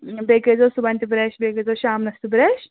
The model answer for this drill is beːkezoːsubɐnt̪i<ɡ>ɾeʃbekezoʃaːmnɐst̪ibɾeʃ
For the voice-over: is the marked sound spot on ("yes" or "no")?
no